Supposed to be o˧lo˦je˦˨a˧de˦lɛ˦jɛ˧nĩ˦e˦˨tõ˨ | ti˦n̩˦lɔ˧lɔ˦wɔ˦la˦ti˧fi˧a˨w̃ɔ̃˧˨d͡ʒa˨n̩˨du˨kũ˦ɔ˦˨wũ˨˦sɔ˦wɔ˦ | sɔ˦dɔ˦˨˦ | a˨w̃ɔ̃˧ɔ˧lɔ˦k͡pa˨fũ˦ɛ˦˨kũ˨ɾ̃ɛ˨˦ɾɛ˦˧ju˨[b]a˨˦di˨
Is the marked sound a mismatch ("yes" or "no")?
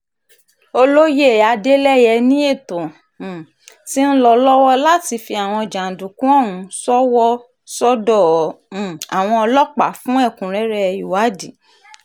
yes